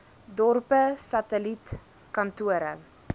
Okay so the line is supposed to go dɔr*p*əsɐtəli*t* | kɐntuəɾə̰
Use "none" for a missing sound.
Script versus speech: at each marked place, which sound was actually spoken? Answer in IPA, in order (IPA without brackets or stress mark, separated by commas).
p, t